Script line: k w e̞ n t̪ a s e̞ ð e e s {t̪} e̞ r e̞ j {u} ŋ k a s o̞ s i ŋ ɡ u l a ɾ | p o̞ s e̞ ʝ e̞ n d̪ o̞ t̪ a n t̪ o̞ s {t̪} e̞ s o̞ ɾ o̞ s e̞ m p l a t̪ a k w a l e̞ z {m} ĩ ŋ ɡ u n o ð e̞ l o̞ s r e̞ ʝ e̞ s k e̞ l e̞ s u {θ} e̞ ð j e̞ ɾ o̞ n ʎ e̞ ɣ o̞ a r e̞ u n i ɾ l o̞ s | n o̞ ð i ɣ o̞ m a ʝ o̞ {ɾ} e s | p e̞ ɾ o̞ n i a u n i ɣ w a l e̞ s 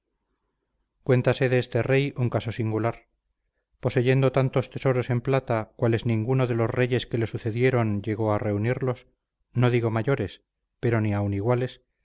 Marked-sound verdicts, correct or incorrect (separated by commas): correct, correct, correct, incorrect, correct, correct